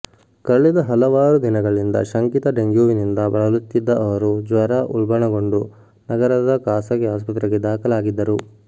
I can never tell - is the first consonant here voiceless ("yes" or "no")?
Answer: yes